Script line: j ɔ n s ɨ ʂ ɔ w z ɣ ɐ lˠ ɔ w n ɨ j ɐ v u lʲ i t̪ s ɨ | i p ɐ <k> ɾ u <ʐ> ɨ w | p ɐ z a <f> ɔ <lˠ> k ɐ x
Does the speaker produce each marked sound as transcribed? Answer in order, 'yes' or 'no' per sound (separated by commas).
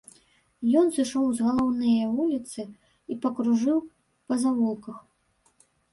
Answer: yes, yes, no, yes